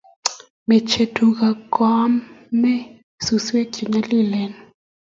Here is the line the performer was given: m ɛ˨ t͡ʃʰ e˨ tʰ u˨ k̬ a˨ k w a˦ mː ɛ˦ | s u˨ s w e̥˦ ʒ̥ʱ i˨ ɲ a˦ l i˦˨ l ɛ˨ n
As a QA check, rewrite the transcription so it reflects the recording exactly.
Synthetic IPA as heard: m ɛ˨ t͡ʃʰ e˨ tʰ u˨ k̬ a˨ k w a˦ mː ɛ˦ | s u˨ s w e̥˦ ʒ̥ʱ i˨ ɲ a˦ l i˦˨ l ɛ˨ n